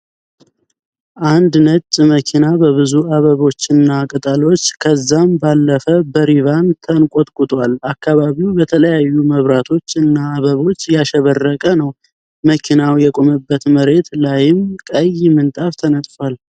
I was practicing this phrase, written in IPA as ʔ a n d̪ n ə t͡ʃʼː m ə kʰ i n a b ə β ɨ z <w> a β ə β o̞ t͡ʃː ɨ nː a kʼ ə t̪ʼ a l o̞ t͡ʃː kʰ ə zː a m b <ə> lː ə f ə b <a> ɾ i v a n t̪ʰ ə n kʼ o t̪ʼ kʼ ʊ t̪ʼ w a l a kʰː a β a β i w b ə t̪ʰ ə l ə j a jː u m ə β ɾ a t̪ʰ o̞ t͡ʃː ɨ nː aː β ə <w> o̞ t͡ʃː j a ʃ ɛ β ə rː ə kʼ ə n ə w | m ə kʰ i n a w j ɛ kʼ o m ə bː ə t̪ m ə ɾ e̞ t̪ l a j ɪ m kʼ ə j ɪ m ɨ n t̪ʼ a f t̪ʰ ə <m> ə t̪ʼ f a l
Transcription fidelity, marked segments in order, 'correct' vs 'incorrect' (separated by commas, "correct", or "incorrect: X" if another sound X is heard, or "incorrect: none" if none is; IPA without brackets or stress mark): incorrect: u, incorrect: a, incorrect: ə, incorrect: β, incorrect: n